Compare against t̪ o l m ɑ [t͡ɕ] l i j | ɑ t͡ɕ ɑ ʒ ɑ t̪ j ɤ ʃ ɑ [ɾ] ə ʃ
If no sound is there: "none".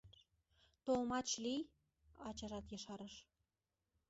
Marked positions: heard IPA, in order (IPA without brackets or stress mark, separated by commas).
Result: t͡ɕ, ɾ